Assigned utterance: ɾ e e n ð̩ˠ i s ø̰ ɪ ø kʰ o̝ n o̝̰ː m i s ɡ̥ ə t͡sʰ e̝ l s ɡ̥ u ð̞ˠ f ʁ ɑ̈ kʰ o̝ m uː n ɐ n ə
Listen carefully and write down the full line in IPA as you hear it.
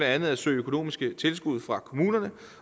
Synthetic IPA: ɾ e æ n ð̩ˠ æ s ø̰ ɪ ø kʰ o̝ n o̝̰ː m i s ɡ̥ ə t͡sʰ e̝ l s ɡ̥ u ð̞ˠ f ʁ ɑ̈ kʰ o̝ m uː n ɐ n ə